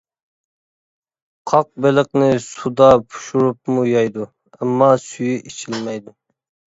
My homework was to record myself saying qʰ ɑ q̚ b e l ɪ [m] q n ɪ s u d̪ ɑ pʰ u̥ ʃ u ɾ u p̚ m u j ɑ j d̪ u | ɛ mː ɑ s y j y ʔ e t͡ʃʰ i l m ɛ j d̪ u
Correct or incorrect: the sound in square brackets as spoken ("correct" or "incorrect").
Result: incorrect